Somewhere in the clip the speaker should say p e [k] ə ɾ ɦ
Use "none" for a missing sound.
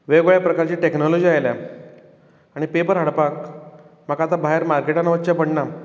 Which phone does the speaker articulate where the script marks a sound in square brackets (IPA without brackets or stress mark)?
p